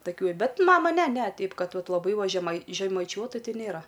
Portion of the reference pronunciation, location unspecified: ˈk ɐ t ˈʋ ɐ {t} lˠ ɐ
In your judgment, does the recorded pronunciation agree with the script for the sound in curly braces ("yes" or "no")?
yes